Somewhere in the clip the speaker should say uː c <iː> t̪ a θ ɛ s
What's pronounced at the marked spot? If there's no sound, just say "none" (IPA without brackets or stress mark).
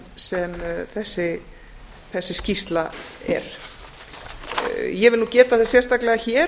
ɛː